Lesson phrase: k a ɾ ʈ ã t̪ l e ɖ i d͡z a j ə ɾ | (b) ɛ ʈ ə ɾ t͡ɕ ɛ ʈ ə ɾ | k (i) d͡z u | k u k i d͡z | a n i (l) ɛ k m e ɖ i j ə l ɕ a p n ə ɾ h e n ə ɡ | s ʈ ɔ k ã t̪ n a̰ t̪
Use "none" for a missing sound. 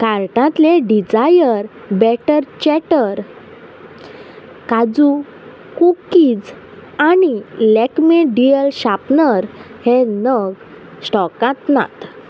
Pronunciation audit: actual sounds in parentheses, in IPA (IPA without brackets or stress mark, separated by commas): b, a, l